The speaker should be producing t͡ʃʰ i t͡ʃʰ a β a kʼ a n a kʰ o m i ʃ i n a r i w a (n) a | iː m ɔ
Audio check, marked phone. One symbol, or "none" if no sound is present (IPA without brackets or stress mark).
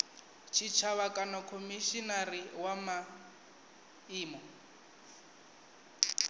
m